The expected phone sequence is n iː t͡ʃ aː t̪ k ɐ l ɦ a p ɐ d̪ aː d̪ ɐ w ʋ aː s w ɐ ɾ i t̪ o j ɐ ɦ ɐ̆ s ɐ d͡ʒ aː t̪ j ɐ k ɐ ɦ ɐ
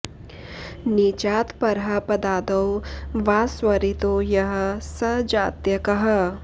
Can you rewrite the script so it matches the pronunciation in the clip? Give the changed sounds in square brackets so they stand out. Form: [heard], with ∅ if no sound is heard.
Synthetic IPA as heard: n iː t͡ʃ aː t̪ [p] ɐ [ɾ] ɦ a p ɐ d̪ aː d̪ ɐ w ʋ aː s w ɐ ɾ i t̪ o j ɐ ɦ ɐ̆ s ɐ d͡ʒ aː t̪ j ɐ k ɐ ɦ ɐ

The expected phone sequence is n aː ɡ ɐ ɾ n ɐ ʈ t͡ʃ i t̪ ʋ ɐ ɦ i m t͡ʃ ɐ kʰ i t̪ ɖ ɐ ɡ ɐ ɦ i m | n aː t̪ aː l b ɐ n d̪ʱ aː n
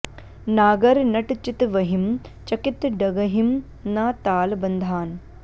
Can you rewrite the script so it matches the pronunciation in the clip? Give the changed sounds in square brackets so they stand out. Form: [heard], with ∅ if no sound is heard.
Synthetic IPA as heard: n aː ɡ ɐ ɾ n ɐ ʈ t͡ʃ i t̪ ʋ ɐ ɦ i m t͡ʃ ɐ [k] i t̪ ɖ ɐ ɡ ɐ ɦ i m | n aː t̪ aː l b ɐ n d̪ʱ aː n

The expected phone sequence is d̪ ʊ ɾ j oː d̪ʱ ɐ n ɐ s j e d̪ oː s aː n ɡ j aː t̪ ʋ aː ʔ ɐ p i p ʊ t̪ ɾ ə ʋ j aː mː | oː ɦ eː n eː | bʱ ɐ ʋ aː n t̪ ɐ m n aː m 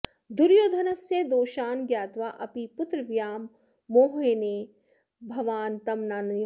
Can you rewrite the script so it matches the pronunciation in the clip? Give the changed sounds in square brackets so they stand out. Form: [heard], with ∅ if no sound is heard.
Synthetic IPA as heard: d̪ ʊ ɾ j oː d̪ʱ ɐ n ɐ s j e d̪ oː [ʃ] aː n ɡ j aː t̪ ʋ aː ʔ ɐ p i p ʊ t̪ ɾ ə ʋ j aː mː | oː ɦ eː n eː | bʱ ɐ ʋ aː n t̪ ɐ m n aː [n]

